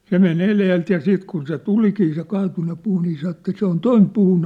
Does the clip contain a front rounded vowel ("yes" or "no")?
no